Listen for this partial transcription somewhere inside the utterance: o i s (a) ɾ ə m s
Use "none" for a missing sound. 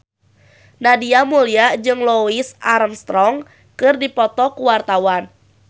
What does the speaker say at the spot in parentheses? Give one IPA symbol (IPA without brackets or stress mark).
a